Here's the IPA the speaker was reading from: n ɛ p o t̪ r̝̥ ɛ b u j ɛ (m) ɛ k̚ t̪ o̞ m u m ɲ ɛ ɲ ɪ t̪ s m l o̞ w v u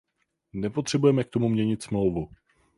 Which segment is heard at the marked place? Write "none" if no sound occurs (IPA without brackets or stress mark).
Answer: m